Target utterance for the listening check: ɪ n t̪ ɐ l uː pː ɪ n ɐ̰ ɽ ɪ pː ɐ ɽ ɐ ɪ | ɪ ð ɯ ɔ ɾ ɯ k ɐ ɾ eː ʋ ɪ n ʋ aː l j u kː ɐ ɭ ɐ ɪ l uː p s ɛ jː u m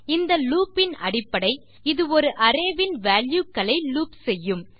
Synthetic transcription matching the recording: ɪ n d̪ ɐ l uː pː ɪ n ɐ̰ ɽ ɪ pː ɐ ɽ ɐ ɪ | ɪ ð ɯ ɔ ɾ ɯ ʔ ɐ ɾ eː ʋ ɪ n ʋ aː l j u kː ɐ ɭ ɐ ɪ l uː p s ɛ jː ɯ m